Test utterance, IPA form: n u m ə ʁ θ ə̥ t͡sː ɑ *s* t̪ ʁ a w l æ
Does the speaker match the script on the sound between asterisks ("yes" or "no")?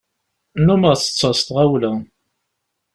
yes